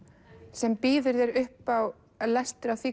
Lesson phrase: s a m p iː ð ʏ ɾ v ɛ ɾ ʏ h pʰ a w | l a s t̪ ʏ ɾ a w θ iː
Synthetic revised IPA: s ɛ m p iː ð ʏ ɾ ð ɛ ɾ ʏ h p a w | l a s t̪ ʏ ɾ a w θ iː